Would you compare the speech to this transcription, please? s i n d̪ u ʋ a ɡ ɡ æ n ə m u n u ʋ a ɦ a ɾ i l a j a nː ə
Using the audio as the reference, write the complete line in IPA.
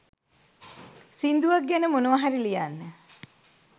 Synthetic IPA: s i n d̪ u ʋ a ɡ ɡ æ n ə m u n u ʋ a ɦ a ɾ i l i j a nː ə